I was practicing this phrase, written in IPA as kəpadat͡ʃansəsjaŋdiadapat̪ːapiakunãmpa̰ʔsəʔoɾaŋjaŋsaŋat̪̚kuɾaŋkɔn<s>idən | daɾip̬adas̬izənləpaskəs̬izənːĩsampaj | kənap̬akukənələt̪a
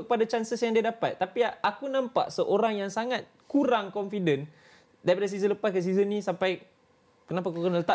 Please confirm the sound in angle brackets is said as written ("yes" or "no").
no